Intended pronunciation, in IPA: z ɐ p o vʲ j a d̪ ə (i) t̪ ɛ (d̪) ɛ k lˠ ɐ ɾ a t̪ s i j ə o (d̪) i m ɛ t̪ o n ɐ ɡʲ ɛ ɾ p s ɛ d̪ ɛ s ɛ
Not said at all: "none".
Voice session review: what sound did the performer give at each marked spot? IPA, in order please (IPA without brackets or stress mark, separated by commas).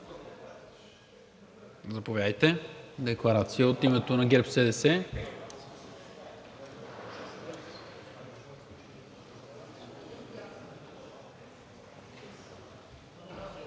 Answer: j, d̪, t̪